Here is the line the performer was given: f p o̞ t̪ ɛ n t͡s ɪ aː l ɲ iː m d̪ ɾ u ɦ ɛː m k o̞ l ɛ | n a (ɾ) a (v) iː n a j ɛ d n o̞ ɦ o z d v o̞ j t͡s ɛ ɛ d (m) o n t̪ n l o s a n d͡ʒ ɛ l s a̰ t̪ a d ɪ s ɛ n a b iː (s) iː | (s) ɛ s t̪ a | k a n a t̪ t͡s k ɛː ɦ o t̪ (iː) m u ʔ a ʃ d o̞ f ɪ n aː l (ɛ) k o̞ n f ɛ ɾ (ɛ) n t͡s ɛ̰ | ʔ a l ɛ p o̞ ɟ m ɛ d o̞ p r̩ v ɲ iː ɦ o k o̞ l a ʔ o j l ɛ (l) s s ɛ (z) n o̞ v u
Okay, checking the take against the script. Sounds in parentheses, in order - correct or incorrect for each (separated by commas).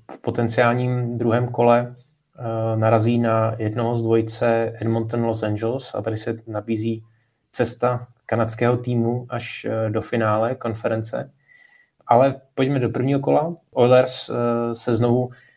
correct, incorrect, correct, incorrect, incorrect, correct, correct, correct, incorrect, correct